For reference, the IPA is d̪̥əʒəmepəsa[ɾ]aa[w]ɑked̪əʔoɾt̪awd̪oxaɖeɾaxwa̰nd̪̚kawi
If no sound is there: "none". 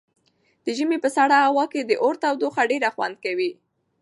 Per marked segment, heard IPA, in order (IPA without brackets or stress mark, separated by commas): ɽ, w